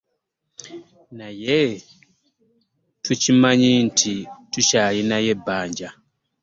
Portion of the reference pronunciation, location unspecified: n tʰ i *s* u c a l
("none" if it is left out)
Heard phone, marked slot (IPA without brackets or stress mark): t